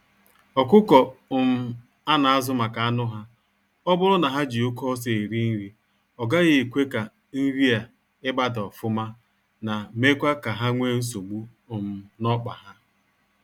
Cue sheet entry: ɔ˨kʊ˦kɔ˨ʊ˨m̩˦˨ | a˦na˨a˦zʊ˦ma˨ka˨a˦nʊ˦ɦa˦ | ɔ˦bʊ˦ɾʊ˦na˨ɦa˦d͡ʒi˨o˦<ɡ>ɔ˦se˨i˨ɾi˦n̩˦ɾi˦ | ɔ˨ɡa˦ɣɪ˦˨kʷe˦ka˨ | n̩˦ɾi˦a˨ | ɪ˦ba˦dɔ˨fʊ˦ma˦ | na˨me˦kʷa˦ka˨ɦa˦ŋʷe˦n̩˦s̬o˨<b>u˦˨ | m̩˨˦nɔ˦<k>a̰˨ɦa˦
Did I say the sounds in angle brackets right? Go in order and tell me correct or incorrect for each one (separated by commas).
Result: incorrect, incorrect, incorrect